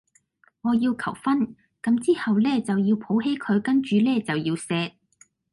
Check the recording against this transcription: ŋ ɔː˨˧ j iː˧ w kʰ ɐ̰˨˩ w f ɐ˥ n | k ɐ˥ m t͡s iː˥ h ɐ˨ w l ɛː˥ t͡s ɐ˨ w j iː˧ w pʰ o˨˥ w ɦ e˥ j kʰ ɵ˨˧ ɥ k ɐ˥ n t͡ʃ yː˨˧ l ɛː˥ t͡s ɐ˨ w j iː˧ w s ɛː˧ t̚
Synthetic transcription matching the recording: ŋ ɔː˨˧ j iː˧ w kʰ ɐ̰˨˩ w f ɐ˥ n | k ɐ˨˥ m t͡s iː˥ h ɐ˨ w l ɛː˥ t͡s ɐ˨ w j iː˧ w pʰ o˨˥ w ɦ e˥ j kʰ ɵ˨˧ ɥ k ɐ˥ n t͡ʃ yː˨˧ l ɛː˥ t͡s ɐ˨ w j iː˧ w s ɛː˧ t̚